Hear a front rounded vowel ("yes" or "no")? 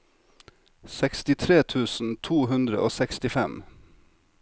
no